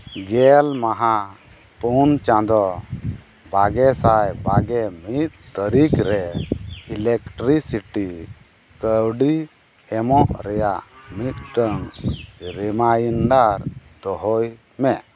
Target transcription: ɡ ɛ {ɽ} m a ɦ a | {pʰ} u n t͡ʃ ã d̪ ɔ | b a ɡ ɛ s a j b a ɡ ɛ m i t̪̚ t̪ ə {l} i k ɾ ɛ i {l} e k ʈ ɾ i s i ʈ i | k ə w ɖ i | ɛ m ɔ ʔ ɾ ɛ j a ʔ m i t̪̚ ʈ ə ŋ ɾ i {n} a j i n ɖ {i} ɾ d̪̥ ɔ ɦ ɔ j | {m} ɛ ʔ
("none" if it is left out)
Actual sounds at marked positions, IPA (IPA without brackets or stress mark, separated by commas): l, p, ɾ, l, m, a, m